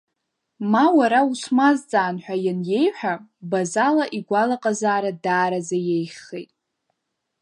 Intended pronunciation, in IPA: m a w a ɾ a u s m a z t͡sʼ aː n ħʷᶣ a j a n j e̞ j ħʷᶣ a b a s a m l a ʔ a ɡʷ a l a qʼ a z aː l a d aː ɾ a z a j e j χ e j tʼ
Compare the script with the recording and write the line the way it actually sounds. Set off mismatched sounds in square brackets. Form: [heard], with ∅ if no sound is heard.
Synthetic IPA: m a w a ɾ a u s m a z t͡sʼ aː n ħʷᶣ a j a n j e̞ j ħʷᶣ a b a [z] a [∅] l a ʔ [i] ɡʷ a l a qʼ a z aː [ɾ] a d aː ɾ a z a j e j χ e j tʼ